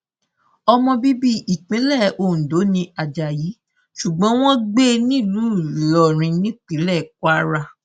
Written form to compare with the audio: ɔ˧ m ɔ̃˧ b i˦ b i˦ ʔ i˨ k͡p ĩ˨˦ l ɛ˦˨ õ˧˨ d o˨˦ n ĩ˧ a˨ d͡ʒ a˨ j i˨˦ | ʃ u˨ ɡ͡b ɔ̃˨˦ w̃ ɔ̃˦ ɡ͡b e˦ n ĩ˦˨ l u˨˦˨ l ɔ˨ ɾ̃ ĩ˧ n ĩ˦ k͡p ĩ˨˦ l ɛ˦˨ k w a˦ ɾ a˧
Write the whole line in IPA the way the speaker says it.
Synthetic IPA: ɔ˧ m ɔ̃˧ b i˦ b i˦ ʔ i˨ k͡p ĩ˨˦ l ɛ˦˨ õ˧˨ d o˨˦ n ĩ˧ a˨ d͡ʒ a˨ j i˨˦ | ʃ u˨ ɡ͡b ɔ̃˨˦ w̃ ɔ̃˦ ɡ͡b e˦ n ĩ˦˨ l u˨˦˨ l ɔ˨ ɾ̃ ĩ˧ n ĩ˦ k͡p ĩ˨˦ l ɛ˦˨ k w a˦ ɾ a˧